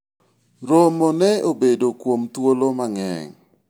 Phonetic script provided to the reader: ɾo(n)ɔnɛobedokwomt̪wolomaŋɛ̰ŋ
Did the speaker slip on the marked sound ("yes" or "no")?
yes